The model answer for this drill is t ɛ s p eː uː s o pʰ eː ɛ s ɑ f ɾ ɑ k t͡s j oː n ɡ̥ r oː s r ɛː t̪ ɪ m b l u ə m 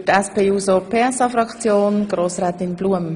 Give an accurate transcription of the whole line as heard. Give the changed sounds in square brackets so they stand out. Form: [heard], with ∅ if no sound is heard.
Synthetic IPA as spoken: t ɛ s p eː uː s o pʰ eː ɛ s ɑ f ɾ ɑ k t͡s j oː n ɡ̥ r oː s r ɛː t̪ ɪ [n] b l u ə m